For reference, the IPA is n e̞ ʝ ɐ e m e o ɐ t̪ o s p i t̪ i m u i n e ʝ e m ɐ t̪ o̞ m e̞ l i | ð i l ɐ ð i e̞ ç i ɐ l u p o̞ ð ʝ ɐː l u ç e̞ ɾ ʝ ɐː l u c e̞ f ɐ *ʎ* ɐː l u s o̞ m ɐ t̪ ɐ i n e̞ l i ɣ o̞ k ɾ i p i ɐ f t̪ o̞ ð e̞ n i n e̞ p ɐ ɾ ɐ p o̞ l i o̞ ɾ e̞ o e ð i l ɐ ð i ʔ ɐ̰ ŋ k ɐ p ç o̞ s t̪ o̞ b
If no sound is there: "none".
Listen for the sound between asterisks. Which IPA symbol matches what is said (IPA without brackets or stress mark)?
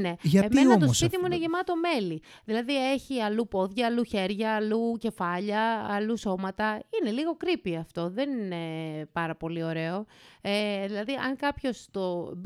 ʎ